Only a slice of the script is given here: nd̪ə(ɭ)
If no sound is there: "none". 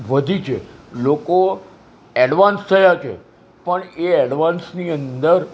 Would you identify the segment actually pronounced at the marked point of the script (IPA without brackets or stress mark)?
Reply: ɾ